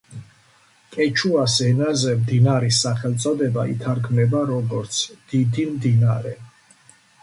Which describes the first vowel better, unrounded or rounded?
unrounded